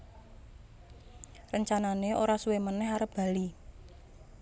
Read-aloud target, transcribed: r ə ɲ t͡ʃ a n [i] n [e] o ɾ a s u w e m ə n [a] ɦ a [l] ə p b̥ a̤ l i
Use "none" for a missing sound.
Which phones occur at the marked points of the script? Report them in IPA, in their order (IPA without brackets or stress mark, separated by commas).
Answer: a, e, ɛ, ɾ